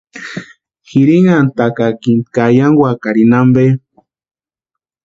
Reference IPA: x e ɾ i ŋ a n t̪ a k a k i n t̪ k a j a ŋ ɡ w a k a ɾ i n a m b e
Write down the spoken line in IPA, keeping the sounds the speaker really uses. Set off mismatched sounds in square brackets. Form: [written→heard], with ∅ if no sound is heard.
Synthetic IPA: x [e→i] ɾ i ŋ a n t̪ a k a k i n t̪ k a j a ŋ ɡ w a k a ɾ i n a m b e